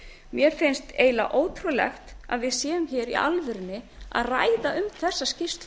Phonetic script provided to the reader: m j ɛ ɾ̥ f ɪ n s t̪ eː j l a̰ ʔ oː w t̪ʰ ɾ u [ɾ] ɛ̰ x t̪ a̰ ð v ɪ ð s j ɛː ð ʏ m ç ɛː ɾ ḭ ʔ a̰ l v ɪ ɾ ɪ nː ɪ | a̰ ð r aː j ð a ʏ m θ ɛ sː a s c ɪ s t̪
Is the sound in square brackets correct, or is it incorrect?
incorrect